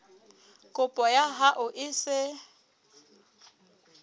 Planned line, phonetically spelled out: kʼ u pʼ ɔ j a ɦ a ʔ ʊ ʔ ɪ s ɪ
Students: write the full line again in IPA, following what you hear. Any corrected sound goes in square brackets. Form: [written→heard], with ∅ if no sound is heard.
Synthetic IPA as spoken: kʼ [u→ʊ] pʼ ɔ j a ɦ a ʔ ʊ ʔ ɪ s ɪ